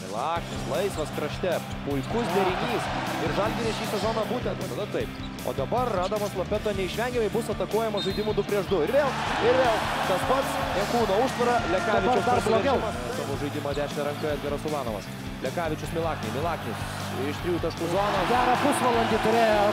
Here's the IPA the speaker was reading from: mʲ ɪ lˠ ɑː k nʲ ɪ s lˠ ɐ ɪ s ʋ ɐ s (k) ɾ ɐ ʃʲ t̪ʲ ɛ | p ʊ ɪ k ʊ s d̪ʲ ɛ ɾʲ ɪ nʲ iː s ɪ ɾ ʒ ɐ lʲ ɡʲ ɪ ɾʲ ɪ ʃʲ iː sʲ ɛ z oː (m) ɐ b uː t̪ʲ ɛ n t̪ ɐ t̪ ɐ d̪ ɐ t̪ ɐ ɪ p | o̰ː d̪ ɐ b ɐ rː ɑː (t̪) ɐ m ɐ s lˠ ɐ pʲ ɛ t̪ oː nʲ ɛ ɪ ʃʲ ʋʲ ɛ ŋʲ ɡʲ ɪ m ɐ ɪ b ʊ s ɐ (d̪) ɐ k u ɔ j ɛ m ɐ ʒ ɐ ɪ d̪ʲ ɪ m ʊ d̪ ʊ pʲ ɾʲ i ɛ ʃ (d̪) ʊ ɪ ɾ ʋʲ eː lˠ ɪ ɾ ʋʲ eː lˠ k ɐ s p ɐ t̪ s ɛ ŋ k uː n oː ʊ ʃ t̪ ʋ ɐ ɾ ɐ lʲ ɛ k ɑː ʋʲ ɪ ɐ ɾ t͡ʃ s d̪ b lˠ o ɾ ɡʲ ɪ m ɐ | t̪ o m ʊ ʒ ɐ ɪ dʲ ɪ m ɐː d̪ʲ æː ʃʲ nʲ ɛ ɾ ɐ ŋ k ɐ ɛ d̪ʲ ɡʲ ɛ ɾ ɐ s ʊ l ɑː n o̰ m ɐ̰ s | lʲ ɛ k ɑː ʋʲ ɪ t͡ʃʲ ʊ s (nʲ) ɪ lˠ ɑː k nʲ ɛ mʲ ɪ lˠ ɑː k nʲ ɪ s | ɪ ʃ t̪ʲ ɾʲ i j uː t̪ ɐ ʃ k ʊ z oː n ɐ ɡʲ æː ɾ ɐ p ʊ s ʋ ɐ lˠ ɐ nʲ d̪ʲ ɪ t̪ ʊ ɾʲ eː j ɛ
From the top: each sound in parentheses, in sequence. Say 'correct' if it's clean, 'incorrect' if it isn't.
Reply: correct, incorrect, incorrect, incorrect, correct, incorrect

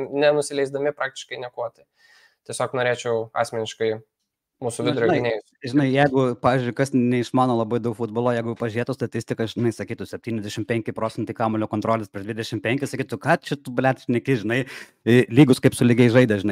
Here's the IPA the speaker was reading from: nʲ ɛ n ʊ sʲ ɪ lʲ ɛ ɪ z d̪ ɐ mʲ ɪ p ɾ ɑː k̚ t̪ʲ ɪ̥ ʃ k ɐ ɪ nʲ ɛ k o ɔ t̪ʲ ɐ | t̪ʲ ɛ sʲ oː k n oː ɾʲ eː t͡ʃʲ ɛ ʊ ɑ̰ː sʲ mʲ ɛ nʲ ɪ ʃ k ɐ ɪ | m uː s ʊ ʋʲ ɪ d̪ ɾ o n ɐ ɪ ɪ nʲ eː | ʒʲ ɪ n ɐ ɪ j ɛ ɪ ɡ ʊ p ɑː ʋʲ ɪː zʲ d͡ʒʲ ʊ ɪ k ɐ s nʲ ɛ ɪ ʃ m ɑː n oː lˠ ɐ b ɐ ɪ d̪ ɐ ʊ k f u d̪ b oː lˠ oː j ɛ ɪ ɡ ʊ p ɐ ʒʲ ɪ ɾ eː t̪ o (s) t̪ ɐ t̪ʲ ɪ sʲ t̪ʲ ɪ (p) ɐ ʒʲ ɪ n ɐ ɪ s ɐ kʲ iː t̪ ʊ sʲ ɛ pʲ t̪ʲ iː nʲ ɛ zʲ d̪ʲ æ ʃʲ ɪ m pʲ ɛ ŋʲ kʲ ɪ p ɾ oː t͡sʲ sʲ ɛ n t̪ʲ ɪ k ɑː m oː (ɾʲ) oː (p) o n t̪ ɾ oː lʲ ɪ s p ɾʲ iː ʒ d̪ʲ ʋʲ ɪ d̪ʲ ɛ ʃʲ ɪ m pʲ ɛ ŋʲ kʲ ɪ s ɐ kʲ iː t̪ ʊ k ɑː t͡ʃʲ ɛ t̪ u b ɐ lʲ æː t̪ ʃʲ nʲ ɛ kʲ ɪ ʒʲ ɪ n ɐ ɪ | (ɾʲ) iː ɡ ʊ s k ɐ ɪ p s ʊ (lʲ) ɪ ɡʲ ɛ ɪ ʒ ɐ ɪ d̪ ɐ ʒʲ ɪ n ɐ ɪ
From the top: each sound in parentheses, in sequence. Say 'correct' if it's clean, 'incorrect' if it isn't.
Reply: correct, incorrect, incorrect, incorrect, incorrect, correct

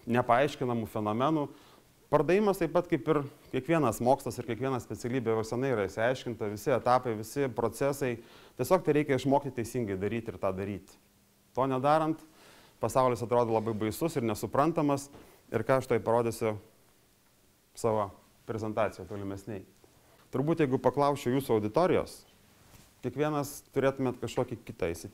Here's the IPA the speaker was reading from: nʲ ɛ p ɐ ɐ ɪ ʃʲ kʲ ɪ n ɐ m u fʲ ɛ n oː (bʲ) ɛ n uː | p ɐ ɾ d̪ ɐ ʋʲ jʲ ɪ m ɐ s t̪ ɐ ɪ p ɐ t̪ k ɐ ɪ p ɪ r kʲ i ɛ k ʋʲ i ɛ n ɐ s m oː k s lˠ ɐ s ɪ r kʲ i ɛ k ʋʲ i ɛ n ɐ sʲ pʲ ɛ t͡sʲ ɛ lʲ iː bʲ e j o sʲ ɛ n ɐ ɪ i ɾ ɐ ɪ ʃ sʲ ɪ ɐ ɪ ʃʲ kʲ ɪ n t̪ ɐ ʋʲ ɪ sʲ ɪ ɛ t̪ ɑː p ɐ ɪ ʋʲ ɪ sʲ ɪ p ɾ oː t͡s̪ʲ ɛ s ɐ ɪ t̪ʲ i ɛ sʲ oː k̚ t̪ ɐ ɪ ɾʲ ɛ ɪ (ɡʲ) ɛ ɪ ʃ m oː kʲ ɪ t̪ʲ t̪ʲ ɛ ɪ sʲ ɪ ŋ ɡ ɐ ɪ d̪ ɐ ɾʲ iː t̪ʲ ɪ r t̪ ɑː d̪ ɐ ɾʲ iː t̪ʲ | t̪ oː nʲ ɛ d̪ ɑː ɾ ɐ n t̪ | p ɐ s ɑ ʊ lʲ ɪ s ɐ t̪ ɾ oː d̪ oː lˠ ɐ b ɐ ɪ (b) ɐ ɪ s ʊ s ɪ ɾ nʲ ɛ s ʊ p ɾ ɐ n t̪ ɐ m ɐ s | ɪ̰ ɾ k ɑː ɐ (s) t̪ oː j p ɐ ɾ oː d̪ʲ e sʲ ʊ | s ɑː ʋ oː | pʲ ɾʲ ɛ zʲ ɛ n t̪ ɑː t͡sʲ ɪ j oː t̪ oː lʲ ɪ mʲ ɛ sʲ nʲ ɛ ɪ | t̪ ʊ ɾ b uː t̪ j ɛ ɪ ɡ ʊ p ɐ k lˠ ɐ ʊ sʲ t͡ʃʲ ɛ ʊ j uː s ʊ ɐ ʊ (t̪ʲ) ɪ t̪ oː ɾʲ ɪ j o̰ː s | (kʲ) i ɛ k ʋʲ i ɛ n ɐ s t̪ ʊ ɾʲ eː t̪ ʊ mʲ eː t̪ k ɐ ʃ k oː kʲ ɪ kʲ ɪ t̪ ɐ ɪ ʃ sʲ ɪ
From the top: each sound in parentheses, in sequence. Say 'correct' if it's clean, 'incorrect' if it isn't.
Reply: incorrect, incorrect, correct, incorrect, incorrect, correct

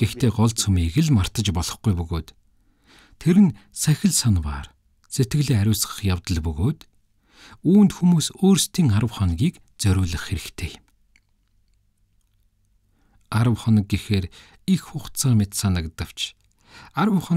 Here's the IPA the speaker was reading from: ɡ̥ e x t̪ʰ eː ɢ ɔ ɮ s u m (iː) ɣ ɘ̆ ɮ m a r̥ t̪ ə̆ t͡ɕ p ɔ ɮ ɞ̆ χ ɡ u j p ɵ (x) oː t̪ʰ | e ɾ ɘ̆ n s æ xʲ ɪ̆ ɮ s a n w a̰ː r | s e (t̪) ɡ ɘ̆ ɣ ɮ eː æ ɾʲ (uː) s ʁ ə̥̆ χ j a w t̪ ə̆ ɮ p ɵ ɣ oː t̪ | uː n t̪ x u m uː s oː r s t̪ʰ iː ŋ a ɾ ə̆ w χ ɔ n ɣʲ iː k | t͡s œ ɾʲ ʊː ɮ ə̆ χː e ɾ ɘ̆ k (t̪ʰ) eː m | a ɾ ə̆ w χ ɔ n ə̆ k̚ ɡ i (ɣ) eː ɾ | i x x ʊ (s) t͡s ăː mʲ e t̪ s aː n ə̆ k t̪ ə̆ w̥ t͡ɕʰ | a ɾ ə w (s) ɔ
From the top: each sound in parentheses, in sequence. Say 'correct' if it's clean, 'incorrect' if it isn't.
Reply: correct, incorrect, correct, incorrect, correct, incorrect, incorrect, incorrect

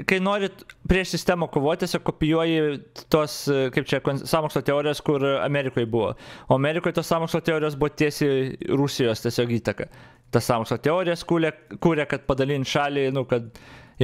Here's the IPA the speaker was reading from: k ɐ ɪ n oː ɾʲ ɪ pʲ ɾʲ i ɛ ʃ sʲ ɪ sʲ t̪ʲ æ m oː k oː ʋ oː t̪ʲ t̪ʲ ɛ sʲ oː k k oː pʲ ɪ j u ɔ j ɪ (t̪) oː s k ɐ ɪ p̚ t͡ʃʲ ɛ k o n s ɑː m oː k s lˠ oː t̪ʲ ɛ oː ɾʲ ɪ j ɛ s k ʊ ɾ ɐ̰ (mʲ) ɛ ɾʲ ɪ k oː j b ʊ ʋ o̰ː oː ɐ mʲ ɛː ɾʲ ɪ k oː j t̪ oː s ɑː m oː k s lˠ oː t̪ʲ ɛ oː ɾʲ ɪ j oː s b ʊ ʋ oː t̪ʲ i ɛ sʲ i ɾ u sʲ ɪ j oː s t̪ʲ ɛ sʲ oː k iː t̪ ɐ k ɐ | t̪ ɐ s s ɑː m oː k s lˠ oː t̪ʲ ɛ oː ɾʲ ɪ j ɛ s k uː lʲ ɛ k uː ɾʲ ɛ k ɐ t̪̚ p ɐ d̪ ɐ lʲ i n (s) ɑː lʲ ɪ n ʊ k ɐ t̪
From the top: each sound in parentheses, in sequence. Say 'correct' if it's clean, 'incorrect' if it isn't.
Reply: correct, correct, incorrect

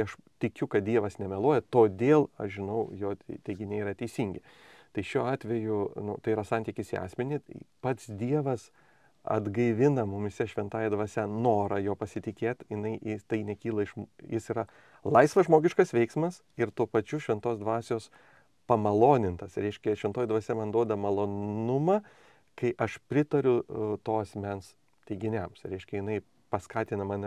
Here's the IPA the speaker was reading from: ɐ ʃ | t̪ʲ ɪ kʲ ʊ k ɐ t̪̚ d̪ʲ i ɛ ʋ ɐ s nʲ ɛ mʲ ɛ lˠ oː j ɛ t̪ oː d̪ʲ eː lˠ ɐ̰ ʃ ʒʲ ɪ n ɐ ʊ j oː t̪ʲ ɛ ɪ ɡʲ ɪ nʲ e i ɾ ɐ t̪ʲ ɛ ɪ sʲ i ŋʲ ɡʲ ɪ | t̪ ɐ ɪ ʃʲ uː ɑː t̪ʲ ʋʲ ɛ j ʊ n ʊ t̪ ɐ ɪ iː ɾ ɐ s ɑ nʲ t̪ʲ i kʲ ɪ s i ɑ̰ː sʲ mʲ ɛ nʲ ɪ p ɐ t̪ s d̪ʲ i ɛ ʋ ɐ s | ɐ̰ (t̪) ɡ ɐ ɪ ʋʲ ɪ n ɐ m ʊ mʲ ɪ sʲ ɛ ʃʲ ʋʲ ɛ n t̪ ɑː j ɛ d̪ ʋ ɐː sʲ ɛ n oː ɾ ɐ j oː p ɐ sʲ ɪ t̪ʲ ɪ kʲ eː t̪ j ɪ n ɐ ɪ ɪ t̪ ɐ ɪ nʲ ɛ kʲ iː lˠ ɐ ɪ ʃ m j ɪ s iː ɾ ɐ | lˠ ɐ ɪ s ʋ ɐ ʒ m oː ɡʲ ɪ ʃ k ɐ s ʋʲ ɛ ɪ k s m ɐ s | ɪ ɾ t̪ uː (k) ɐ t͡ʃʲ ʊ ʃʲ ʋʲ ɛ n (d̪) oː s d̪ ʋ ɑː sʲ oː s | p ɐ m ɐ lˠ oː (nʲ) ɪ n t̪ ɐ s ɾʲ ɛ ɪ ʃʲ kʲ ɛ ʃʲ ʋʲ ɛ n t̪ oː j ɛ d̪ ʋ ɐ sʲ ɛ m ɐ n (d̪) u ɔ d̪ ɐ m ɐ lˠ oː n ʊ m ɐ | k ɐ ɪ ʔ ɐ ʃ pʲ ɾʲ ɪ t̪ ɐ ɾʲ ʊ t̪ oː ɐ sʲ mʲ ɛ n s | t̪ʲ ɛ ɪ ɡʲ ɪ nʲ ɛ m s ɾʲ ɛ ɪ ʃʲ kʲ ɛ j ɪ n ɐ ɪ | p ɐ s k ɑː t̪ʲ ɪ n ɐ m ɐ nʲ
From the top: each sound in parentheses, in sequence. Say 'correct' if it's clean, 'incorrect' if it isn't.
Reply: incorrect, incorrect, incorrect, correct, correct

